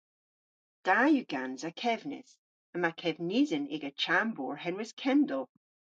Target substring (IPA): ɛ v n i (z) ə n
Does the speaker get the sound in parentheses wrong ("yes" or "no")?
no